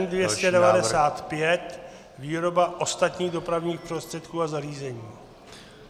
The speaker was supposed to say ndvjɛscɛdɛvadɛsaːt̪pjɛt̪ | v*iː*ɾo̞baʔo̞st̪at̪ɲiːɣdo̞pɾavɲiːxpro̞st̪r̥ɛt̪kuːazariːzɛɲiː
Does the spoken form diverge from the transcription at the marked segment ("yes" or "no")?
no